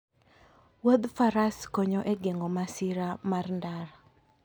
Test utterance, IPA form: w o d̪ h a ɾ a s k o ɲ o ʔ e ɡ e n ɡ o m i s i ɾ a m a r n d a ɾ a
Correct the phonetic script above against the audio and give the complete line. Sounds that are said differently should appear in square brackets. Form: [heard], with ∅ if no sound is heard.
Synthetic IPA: w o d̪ [f] a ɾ a s k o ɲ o ʔ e ɡ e [ŋ] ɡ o m [a] s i ɾ a m a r n d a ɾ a